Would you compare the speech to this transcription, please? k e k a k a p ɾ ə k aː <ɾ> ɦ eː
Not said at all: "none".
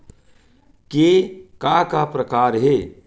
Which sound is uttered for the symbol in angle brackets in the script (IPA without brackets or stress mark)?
ɾ